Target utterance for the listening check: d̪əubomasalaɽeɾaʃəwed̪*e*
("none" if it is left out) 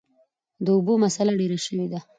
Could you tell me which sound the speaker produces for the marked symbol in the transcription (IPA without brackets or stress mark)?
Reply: a